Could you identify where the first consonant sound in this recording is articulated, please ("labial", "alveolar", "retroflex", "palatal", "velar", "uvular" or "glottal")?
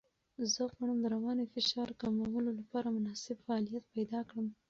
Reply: alveolar